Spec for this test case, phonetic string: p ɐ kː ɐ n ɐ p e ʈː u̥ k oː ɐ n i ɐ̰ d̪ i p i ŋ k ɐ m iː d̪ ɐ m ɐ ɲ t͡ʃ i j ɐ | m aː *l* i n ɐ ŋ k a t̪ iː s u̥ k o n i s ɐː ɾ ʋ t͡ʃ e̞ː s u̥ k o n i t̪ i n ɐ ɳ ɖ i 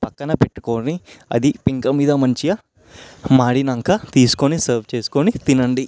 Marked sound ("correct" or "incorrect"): incorrect